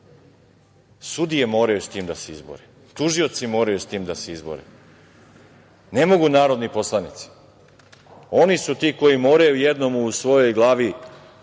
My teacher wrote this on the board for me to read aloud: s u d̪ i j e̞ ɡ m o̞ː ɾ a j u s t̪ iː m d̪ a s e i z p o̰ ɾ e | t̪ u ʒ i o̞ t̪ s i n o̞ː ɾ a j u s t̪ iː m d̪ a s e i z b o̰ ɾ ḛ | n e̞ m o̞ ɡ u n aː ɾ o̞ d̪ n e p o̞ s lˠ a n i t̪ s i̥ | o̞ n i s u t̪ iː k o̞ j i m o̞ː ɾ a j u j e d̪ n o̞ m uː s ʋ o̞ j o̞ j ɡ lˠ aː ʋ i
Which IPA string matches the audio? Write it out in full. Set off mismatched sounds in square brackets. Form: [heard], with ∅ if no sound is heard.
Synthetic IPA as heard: s u d̪ i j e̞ [∅] m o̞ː ɾ a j u s t̪ iː m d̪ a s e i z [b] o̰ ɾ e | t̪ u ʒ i o̞ t̪ s i [m] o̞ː ɾ a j u s t̪ iː m d̪ a s e i z b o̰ ɾ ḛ | n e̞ m o̞ ɡ u n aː ɾ o̞ d̪ n [i] p o̞ s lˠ a n i t̪ s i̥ | o̞ n i s u t̪ iː k o̞ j i m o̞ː ɾ a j u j e d̪ n o̞ m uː s ʋ o̞ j o̞ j ɡ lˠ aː ʋ i